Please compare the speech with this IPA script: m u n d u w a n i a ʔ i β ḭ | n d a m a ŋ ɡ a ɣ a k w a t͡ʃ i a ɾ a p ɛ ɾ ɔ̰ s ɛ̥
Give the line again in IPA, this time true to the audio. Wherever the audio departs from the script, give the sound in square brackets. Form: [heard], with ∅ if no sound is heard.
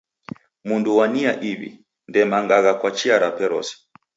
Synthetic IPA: m u n d u w a n i a ʔ i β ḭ | n d [ɛ] m a ŋ ɡ a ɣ a k w a t͡ʃ i a ɾ a p ɛ ɾ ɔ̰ s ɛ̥